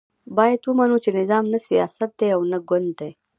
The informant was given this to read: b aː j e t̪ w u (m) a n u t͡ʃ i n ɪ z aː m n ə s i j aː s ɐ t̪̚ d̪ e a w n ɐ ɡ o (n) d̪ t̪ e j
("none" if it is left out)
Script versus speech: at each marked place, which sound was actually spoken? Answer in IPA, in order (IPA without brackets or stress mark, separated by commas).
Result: m, n